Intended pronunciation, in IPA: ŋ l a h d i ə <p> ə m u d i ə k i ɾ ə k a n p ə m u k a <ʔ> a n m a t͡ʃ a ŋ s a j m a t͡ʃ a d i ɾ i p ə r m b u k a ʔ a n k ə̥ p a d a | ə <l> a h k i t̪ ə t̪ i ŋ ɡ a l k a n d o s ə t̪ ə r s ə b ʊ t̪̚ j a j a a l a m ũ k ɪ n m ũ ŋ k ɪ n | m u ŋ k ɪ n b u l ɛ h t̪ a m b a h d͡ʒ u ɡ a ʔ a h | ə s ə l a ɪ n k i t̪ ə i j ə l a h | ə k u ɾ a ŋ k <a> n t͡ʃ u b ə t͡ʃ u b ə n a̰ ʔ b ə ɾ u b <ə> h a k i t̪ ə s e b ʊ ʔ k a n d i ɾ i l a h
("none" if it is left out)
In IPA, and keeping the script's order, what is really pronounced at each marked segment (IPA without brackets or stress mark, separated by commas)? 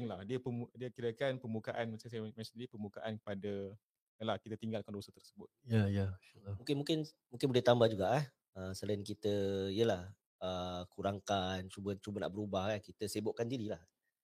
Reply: p, ʔ, l, a, a